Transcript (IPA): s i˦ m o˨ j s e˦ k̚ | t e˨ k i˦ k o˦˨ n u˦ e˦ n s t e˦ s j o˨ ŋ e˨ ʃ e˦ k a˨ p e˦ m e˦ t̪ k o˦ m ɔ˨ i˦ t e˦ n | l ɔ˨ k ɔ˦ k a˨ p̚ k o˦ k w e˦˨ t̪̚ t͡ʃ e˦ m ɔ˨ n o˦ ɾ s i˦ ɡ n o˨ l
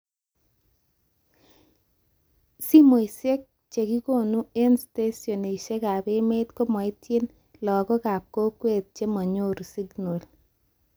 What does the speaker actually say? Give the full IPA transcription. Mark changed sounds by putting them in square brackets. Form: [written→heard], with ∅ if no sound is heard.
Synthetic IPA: s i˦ m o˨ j s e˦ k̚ | [t→t͡ʃ] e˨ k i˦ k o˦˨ n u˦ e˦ n s t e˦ s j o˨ [ŋ→n] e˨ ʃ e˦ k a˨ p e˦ m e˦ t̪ k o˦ m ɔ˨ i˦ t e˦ n | l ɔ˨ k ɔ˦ k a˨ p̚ k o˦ k w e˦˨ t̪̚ t͡ʃ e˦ m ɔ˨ [n→ɲ] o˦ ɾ s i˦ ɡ n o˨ l

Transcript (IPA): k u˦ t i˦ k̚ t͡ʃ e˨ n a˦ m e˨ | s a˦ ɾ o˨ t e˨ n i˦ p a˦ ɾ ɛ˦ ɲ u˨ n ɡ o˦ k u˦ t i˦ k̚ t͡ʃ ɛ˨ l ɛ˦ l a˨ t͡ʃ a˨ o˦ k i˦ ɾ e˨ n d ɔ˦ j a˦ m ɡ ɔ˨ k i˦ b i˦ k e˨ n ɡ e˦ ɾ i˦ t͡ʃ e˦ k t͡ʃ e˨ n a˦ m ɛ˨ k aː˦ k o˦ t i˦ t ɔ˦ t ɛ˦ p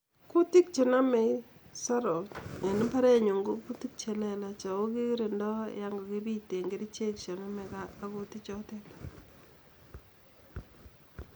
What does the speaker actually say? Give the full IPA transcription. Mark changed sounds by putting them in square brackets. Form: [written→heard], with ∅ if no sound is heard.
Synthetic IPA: k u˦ t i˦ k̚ t͡ʃ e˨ n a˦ m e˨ | s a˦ ɾ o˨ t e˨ n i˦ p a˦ ɾ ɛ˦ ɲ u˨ [n→ŋ] ɡ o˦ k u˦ t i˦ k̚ t͡ʃ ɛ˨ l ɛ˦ l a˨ t͡ʃ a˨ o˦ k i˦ ɾ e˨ n d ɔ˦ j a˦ [m→ŋ] ɡ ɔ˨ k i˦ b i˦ [k→t] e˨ [n→ŋ] ɡ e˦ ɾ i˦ t͡ʃ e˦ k t͡ʃ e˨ n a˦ m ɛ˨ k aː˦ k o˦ t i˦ [t→t͡ʃ] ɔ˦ t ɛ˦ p

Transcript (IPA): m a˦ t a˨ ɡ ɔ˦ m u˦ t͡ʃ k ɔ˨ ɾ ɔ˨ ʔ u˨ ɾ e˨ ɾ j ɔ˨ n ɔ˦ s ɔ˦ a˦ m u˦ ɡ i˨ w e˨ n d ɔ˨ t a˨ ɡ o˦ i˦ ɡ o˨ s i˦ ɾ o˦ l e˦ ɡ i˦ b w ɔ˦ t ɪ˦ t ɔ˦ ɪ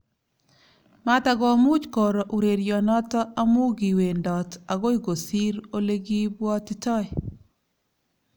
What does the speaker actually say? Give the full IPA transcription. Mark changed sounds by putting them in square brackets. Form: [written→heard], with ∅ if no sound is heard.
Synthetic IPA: m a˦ t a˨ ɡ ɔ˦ m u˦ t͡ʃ k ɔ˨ ɾ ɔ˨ ʔ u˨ ɾ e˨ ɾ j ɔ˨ n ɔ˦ [s→t] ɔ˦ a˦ m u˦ ɡ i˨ w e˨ n d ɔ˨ t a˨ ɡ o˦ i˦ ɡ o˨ s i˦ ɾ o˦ l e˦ ɡ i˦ b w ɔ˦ t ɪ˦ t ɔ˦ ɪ

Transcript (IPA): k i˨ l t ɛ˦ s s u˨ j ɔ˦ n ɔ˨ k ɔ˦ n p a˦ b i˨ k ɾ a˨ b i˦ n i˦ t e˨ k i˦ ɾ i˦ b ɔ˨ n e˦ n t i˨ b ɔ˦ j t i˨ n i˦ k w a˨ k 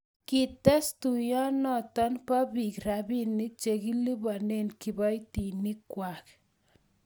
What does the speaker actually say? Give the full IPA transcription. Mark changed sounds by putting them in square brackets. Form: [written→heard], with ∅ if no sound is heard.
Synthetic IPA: k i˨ [l→∅] t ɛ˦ s [s→t] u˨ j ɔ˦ n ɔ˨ [k→t] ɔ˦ n p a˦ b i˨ k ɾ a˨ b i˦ n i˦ [t→t͡ʃ] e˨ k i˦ [ɾ→l] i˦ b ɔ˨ n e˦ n [t→k] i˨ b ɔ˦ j t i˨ n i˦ k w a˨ k

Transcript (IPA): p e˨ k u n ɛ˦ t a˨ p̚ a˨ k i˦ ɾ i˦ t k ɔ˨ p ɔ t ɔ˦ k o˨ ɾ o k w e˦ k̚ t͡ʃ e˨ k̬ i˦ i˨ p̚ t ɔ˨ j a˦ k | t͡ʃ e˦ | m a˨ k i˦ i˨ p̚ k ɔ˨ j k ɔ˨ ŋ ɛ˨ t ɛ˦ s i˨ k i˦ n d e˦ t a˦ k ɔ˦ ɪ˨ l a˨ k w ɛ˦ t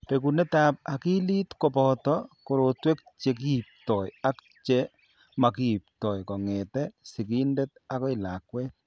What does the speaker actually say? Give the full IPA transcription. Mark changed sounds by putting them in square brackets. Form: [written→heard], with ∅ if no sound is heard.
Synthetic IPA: p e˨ k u n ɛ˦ t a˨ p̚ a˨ k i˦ [ɾ→l] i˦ t k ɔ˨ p ɔ t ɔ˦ k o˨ ɾ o [k→t] w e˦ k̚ t͡ʃ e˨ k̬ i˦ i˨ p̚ t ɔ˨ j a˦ k | t͡ʃ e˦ | m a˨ k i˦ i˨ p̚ [k→t] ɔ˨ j k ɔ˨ ŋ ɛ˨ t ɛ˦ s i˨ k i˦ n d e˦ t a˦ k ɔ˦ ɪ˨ l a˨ k w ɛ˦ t

